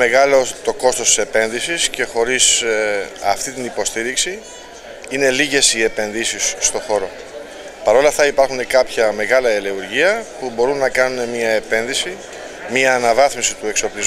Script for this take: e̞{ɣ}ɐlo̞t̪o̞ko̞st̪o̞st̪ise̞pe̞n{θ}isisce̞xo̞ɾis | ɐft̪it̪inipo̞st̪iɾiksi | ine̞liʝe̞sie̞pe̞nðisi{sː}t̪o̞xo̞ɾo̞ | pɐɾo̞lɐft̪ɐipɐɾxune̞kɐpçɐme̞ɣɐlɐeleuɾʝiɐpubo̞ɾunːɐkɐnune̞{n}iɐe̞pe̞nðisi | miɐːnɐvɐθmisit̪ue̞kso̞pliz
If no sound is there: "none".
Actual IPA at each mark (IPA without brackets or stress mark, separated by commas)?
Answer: ɣ, ð, sː, m